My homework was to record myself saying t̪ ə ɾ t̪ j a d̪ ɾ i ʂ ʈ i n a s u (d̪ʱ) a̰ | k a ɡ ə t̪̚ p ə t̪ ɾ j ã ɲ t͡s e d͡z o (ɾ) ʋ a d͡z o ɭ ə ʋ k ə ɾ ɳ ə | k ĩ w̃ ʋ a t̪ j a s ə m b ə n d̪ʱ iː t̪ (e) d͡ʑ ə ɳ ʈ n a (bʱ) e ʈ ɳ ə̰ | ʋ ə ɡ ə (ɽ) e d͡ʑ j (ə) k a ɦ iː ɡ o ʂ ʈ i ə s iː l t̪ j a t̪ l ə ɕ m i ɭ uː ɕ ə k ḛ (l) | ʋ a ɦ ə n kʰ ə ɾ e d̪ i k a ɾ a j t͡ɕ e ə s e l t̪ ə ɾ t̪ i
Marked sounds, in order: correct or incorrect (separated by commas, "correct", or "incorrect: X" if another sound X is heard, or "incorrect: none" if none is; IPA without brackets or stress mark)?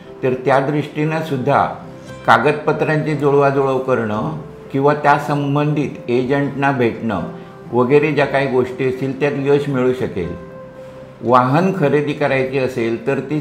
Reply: incorrect: d̪ʱː, incorrect: ɭ, correct, correct, incorrect: ɾ, incorrect: a, correct